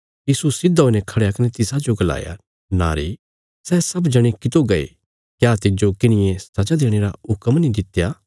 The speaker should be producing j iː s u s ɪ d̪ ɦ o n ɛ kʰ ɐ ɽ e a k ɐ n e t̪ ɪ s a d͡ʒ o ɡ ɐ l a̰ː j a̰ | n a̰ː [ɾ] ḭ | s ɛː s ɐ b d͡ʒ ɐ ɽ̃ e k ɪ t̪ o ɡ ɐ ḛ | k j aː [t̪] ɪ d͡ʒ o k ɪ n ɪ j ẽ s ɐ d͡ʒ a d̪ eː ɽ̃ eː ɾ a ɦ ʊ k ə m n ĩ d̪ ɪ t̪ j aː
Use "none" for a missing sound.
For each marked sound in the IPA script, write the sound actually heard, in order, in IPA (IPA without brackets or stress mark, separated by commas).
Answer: ɾ, t̪